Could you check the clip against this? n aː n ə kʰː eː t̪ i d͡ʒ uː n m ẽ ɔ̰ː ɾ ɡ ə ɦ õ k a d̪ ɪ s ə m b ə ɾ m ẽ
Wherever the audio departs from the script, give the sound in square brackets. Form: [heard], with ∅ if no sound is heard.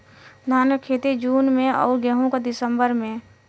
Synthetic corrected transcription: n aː n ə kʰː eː t̪ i d͡ʒ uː n m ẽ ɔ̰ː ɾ ɡ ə ɦ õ k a d̪ ɪ s ə m b ə ɾ m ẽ